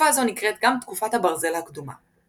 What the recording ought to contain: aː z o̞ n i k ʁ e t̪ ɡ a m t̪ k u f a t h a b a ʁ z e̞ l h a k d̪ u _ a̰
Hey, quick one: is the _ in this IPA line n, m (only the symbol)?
m